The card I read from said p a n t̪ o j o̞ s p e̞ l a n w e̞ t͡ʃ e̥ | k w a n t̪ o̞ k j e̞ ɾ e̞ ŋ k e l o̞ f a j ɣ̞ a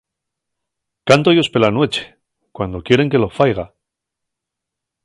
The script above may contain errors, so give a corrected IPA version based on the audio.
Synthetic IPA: k a n t̪ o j o̞ s p e̞ l a n w e̞ t͡ʃ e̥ | k w a n d̪ o̞ k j e̞ ɾ e̞ ŋ k e l o̞ f a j ɣ̞ a